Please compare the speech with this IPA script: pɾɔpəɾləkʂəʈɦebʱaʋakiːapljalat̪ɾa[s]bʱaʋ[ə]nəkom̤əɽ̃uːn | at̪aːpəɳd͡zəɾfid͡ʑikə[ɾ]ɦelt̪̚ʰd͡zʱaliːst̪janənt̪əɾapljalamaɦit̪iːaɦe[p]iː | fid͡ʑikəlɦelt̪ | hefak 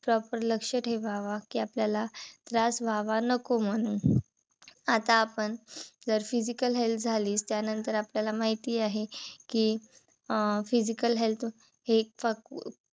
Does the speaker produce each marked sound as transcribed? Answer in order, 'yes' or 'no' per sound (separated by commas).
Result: yes, no, no, no